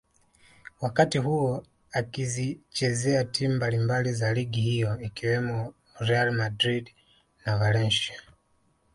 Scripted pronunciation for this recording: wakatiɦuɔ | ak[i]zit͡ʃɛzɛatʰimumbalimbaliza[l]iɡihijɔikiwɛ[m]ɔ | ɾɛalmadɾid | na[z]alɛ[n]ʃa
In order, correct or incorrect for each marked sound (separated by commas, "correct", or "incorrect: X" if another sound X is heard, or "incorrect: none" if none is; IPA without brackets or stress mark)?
correct, correct, correct, incorrect: v, correct